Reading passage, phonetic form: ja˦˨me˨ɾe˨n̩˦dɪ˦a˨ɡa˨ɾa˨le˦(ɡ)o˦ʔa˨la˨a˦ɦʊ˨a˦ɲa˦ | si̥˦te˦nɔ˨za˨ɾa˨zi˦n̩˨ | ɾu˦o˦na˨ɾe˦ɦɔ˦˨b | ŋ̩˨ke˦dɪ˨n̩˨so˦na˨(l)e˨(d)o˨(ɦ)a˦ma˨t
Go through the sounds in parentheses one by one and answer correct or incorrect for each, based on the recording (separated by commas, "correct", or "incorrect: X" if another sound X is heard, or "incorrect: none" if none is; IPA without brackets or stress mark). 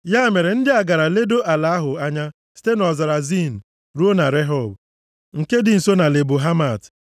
incorrect: d, correct, incorrect: b, correct